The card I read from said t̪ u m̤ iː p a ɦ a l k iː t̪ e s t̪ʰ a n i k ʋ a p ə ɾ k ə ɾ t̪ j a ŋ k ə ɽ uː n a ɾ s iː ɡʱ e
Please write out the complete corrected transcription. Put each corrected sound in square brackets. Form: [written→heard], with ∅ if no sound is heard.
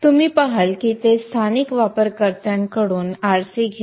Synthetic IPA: t̪ u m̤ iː p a ɦ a l k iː t̪ e s t̪ʰ a n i k ʋ a p ə ɾ k ə ɾ t̪ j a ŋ k ə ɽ uː n a ɾ s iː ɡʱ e